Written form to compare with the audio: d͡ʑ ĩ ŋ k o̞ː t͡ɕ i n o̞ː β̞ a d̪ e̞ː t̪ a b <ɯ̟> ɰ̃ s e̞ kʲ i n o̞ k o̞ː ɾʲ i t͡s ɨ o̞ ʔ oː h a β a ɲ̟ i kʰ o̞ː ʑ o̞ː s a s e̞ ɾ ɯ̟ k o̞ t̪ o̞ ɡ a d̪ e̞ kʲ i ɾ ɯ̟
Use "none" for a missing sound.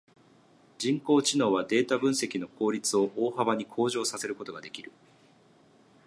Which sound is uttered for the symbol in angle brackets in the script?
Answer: ɯ̟̃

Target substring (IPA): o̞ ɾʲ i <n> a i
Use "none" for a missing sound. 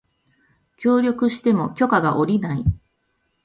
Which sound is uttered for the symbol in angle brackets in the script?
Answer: n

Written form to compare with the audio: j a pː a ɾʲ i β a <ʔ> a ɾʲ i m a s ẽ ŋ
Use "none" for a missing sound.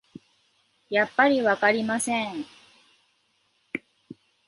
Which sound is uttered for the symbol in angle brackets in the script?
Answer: k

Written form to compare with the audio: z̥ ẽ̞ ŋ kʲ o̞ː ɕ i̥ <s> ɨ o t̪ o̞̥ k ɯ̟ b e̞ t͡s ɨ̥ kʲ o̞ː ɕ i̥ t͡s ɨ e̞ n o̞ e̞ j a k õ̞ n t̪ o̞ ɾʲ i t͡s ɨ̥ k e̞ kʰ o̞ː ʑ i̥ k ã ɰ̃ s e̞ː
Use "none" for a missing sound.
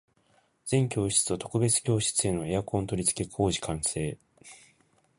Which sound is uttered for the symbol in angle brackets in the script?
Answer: t͡s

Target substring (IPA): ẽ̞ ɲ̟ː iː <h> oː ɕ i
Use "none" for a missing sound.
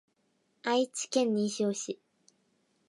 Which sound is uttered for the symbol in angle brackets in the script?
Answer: ɕ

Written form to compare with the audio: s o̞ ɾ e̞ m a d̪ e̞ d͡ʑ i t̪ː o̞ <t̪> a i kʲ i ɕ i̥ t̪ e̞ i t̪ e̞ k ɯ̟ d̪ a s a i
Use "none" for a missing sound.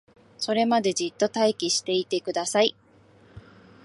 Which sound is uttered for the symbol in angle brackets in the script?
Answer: t̪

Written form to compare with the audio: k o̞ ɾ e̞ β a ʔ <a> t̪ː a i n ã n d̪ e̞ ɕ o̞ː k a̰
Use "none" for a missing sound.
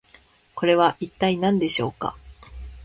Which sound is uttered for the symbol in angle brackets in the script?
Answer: i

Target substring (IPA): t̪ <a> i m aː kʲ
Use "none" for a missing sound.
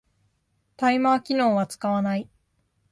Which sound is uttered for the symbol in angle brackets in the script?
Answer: a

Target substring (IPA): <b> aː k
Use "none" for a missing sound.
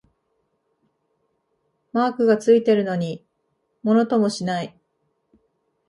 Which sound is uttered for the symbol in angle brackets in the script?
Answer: m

